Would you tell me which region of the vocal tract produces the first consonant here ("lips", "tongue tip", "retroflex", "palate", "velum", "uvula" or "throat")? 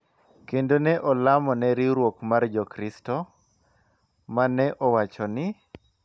velum